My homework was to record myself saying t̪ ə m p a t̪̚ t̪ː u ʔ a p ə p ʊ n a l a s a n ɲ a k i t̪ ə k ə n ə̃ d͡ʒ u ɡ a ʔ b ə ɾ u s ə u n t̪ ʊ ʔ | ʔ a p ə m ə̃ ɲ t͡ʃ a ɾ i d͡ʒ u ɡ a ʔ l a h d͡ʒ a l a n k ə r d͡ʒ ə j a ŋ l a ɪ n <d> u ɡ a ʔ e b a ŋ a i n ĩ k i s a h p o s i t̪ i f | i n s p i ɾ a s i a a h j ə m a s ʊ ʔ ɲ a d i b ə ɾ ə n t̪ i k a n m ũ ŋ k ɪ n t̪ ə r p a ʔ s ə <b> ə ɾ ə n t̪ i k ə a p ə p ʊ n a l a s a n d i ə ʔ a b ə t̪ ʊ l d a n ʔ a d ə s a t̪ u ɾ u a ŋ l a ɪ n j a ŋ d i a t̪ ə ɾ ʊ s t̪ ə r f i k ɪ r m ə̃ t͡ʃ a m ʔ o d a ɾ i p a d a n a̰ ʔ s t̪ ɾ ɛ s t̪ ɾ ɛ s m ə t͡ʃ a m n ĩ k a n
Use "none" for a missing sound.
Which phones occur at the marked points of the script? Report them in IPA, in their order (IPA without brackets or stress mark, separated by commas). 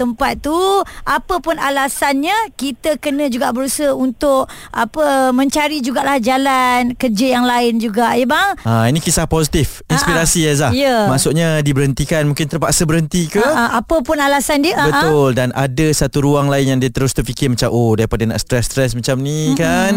d͡ʒ, b